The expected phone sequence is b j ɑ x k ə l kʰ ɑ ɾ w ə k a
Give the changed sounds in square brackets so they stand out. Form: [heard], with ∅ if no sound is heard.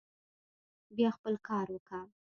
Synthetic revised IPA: b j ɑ x [p] ə l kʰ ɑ ɾ w ə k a